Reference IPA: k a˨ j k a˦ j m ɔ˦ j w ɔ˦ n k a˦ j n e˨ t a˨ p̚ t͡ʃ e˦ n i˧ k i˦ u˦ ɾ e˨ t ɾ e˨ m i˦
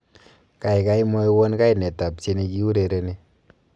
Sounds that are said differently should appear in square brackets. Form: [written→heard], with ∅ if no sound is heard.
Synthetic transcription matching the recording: k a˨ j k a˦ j m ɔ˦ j w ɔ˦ n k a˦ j n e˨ t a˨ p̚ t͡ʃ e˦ n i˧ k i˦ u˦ ɾ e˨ [t→∅] ɾ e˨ [m→n] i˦